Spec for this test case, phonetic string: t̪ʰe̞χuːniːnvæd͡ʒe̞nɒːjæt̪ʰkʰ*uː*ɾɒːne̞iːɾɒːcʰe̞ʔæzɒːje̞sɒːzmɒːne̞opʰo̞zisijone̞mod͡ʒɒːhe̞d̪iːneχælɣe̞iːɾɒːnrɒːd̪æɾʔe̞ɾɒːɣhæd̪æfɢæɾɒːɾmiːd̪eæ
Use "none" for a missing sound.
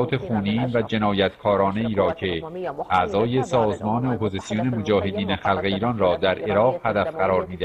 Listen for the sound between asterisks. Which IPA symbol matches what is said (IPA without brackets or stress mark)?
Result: ɒː